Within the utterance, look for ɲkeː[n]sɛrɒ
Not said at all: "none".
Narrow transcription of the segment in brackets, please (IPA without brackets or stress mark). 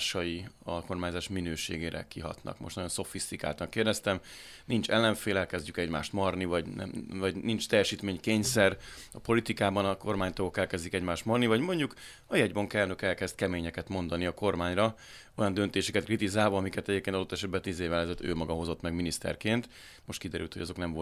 ɲ